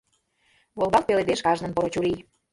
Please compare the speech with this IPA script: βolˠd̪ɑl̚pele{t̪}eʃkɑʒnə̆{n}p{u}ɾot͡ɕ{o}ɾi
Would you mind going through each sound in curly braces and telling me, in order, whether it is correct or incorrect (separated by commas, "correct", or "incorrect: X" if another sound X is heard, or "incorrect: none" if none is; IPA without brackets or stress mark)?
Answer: incorrect: d̪, correct, incorrect: o, incorrect: u